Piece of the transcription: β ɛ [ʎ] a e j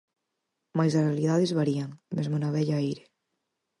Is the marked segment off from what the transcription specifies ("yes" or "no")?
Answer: no